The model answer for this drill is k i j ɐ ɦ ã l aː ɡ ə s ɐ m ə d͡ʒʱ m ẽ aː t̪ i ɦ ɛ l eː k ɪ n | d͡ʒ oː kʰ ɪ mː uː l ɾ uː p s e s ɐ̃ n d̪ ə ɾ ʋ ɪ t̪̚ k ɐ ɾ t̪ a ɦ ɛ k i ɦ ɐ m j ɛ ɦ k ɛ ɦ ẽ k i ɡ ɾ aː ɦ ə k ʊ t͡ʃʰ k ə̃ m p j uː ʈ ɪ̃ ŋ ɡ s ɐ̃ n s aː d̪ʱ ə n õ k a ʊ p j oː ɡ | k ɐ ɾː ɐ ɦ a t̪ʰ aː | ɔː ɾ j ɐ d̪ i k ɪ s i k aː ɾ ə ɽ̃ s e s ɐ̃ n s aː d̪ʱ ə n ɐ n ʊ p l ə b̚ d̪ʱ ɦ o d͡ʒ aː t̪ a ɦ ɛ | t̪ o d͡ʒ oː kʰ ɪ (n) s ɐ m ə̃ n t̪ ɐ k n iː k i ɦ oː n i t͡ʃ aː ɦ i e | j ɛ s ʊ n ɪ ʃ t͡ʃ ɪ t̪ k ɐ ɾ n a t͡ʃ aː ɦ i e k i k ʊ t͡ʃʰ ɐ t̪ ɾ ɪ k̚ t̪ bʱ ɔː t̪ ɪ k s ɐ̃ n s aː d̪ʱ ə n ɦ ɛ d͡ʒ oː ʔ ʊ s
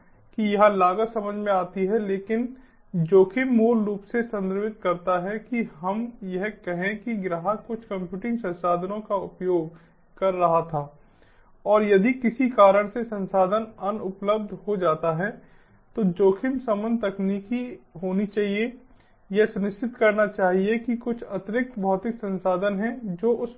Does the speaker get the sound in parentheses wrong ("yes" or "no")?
yes